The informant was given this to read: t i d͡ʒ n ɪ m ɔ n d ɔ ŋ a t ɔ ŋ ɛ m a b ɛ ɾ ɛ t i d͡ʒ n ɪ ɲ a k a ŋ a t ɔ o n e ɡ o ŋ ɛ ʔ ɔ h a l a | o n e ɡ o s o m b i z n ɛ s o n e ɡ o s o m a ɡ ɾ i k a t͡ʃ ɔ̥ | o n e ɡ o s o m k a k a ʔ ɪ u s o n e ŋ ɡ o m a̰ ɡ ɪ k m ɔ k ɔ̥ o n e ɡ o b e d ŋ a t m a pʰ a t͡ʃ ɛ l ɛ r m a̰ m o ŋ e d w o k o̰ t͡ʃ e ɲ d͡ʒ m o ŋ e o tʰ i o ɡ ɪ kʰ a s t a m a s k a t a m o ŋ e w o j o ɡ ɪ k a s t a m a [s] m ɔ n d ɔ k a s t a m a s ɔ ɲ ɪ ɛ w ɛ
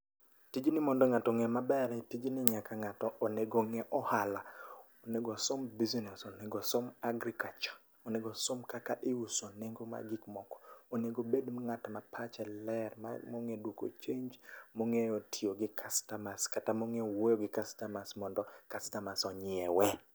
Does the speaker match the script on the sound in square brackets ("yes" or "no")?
yes